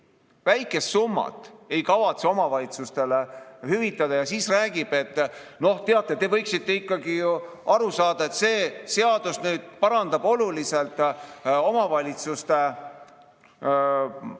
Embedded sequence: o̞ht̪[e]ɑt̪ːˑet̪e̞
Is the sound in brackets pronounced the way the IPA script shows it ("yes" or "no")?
yes